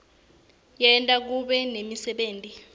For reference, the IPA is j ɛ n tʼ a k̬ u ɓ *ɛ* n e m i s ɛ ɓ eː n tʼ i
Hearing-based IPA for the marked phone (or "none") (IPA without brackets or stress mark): ɛ